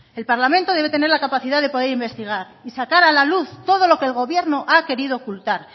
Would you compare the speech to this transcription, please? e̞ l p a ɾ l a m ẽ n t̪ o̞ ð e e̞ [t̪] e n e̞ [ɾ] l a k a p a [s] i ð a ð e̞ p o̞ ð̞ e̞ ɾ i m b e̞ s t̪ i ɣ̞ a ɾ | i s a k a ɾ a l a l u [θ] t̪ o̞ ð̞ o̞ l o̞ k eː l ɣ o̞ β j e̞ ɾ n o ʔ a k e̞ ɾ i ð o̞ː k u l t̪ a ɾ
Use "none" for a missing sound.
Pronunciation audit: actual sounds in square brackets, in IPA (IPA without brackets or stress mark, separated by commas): t̪, ɾ, θ, θ